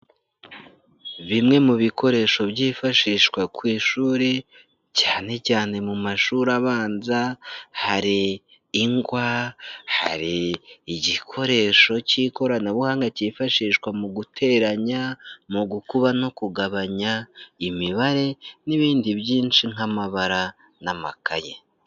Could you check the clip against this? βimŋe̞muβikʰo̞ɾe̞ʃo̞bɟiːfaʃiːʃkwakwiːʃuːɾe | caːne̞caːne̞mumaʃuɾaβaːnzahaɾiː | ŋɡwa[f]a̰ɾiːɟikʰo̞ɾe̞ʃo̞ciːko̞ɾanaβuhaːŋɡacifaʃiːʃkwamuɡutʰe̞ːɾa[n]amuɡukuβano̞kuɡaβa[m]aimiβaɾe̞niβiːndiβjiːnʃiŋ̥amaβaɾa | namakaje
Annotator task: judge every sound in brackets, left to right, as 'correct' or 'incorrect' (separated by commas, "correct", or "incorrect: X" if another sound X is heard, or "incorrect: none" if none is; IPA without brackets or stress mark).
incorrect: h, incorrect: ɲ, incorrect: ɲ